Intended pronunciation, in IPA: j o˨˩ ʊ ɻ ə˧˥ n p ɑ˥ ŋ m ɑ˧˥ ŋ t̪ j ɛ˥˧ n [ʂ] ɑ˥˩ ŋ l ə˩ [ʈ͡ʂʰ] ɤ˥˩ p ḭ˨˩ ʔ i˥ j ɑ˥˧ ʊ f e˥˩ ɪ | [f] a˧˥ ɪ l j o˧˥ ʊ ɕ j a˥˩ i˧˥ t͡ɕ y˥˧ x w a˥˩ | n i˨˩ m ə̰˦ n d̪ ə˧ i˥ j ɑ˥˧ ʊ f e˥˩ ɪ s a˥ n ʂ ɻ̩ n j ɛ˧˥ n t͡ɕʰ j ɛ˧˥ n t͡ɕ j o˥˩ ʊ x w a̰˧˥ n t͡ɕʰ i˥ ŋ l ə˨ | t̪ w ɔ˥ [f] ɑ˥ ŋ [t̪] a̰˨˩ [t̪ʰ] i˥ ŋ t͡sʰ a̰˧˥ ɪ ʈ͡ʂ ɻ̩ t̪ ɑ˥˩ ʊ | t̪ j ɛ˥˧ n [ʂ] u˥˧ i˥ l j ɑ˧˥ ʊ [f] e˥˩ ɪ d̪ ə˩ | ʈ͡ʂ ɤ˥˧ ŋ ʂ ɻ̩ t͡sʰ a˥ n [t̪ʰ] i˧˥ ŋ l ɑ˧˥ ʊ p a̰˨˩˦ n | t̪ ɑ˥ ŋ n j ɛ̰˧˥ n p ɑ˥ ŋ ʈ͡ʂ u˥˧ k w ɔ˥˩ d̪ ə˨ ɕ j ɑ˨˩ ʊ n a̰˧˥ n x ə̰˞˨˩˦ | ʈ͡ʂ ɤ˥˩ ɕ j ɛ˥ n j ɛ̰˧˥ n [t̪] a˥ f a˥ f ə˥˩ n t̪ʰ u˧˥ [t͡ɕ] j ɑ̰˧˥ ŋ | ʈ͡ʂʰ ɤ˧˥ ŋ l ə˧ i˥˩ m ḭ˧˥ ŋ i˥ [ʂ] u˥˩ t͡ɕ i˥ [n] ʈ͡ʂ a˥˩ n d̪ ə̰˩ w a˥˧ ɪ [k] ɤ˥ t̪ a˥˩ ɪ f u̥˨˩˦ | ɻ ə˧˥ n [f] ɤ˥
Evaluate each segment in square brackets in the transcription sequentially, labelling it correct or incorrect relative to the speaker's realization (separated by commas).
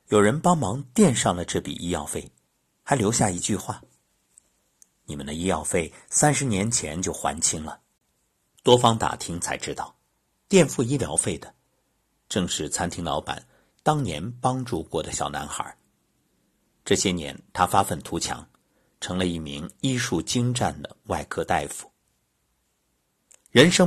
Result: correct, incorrect, incorrect, correct, correct, correct, incorrect, correct, correct, incorrect, incorrect, correct, incorrect, incorrect, incorrect